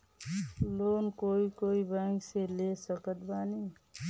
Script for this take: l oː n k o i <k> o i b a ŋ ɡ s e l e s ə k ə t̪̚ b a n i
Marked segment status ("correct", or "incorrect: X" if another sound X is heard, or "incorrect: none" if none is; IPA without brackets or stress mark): correct